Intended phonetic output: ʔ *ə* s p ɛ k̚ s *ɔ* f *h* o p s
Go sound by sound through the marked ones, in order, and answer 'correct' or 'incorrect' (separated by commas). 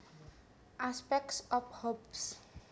incorrect, correct, correct